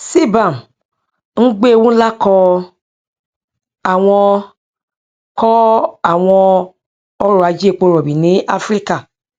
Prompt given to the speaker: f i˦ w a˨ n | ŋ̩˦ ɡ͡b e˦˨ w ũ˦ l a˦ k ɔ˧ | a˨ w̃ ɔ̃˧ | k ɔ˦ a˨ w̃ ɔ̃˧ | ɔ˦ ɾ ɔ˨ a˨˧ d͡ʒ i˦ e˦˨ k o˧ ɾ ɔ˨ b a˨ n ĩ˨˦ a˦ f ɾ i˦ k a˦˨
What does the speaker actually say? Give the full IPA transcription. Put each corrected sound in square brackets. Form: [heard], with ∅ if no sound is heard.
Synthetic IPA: [s] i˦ [b] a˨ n | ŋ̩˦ ɡ͡b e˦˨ w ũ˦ l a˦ k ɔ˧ | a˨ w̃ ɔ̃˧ | k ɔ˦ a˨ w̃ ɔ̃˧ | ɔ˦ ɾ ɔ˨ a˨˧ d͡ʒ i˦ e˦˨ [k͡p] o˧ ɾ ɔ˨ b [i˨] n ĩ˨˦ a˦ f ɾ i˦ k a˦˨